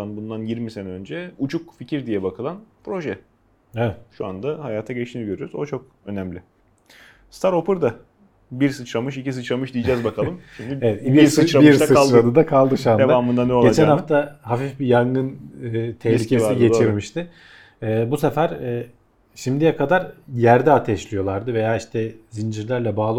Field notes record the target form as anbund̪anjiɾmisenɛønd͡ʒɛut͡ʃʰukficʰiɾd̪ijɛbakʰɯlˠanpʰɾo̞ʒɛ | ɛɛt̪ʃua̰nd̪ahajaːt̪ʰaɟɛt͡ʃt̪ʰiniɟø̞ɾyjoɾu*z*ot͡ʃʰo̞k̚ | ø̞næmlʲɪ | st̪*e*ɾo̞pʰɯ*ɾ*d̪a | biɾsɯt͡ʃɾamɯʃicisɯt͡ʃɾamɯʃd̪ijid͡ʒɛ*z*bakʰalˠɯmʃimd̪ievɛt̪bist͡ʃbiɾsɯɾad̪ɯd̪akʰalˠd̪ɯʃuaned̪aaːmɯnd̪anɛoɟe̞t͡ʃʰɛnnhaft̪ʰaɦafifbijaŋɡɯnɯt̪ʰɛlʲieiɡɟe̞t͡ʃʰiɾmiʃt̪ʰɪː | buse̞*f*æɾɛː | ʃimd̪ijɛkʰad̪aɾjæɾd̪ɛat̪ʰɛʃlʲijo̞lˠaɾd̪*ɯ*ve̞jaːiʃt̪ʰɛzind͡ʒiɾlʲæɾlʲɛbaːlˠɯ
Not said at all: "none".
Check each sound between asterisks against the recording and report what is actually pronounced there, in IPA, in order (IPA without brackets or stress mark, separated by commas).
z, a, ɾ, z, f, ɯ